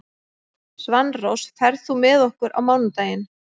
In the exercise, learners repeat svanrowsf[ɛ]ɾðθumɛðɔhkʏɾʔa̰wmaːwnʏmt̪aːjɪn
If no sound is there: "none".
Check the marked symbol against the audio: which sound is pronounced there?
ɛ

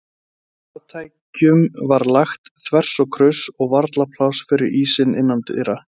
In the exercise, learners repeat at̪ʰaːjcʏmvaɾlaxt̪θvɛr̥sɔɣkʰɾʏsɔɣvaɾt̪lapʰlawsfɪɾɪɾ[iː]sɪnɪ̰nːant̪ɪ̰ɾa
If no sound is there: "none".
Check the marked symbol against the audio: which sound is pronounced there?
iː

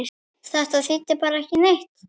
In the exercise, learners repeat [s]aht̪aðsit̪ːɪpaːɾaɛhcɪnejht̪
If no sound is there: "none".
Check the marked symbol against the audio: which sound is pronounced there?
θ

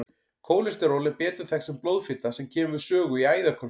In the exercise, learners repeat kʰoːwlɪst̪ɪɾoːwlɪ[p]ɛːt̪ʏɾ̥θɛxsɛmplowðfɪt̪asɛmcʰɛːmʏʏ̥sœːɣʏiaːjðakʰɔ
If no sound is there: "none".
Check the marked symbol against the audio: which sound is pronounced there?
p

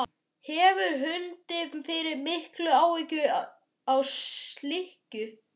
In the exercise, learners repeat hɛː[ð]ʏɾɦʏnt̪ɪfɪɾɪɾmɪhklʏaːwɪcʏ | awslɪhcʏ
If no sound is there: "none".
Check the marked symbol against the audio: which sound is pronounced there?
v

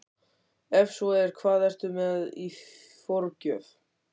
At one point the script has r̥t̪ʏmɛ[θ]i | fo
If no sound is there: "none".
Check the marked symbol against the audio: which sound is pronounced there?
ð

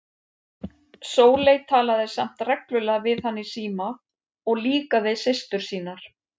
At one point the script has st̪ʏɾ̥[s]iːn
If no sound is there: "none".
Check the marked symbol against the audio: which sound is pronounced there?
s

